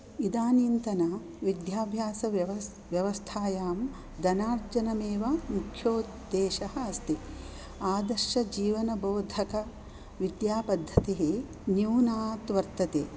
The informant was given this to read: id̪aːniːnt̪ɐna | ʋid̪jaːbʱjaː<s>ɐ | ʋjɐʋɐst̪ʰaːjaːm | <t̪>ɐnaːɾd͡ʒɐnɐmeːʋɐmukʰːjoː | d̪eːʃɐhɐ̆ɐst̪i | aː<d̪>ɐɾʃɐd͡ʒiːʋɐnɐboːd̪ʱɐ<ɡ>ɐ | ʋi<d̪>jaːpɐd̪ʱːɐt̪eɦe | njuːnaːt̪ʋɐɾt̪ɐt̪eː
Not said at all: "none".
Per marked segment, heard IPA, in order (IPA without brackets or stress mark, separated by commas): s, d̪, d̪, k, d̪